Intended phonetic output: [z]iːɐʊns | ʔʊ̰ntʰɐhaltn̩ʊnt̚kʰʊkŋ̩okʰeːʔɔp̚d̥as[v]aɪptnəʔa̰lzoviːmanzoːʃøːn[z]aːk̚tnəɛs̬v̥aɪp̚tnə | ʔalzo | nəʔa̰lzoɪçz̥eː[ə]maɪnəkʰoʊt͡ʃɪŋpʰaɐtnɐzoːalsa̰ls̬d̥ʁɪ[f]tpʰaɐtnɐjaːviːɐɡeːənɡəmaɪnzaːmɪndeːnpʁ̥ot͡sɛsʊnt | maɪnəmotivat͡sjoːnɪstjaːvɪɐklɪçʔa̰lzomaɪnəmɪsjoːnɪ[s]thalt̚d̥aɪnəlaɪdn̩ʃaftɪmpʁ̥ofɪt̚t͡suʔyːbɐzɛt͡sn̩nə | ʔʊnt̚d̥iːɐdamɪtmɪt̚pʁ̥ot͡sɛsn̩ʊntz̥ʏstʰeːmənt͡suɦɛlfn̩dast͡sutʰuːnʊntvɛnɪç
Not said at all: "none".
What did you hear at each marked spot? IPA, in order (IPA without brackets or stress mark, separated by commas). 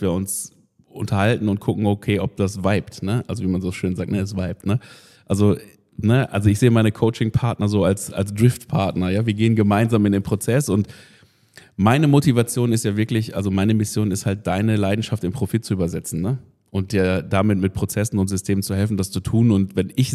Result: v, v, z, ə, f, s